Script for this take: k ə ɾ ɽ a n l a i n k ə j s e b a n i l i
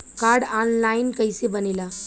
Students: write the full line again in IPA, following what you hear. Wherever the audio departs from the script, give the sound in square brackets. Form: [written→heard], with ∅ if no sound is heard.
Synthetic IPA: k [ə→a] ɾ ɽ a n l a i n k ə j s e b [a→ə] n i l [i→a]